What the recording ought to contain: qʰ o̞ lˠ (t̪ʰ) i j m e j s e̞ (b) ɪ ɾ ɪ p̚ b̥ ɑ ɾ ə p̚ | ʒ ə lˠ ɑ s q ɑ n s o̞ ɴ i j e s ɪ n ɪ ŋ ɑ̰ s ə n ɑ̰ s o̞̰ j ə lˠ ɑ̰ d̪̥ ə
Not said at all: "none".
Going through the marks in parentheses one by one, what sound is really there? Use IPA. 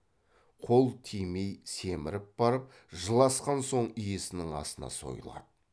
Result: t̪ʰ, m

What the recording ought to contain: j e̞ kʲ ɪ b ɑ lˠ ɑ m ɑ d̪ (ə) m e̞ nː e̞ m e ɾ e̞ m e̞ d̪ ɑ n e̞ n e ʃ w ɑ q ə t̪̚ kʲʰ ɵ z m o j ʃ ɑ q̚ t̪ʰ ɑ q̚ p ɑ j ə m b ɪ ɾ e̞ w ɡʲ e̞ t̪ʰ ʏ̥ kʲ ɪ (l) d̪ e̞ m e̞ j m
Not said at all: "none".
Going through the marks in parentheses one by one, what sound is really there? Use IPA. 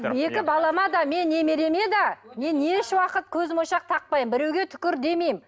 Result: ɑ, ɾ

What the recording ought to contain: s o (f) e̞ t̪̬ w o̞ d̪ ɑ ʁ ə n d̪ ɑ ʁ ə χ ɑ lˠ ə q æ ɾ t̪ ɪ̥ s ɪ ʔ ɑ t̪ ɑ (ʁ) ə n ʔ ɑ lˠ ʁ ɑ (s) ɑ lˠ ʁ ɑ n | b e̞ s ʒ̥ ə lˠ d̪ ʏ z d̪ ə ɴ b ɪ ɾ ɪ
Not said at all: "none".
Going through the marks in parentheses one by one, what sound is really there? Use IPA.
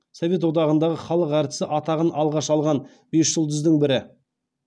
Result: v, ʁ, ʃ

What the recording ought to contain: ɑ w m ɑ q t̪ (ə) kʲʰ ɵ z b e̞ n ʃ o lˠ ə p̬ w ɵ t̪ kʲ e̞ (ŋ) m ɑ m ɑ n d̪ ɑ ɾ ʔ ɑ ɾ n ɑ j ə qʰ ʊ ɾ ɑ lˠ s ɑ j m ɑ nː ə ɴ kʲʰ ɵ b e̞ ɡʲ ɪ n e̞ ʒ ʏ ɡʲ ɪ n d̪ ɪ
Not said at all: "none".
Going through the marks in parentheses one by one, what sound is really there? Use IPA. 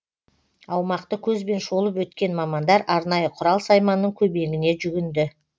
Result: ə, n

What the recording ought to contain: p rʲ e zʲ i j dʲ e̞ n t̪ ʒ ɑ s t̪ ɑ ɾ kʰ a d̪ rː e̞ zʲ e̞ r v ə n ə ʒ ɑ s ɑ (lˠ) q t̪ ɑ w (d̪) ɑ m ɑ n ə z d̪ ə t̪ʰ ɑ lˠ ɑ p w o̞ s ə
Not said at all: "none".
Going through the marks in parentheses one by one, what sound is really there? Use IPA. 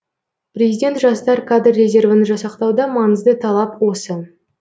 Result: none, d̪

